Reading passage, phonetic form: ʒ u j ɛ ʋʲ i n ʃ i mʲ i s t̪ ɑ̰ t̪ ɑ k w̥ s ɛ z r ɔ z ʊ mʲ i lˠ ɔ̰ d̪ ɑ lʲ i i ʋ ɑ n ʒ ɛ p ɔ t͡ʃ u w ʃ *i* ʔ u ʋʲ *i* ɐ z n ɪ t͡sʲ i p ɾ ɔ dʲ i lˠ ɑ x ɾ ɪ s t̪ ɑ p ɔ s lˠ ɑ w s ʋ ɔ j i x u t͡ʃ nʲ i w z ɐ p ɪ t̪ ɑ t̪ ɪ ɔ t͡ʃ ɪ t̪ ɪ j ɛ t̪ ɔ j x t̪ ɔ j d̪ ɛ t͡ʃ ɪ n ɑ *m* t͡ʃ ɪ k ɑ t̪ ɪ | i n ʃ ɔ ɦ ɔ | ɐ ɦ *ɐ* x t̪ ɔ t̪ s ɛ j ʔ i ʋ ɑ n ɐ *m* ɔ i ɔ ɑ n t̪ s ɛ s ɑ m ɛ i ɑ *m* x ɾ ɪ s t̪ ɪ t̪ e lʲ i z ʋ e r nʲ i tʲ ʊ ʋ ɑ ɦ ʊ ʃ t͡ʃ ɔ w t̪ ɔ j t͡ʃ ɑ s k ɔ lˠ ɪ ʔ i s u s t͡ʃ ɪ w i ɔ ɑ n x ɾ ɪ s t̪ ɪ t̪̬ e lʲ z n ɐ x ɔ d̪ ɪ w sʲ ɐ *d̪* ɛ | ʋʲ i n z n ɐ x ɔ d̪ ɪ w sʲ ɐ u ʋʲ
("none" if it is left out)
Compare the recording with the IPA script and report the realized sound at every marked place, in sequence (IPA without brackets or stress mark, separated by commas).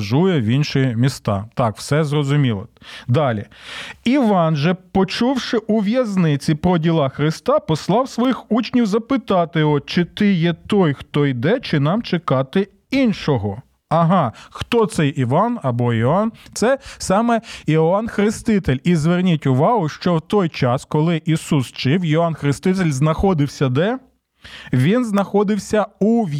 ɪ, j, m, ɑ, b, n, d̪